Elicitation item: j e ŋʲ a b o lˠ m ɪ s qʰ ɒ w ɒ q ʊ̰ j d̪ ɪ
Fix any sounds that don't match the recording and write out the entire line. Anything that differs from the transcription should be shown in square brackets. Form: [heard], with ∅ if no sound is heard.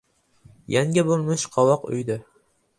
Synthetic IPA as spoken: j [a] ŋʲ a b o lˠ m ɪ [ʃ] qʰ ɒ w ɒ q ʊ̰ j d̪ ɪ